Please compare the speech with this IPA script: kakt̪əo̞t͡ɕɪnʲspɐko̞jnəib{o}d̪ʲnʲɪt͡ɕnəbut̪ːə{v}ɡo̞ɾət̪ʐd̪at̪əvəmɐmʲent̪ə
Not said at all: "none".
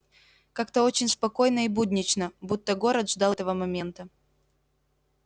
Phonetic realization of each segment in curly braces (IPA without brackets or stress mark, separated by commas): u, none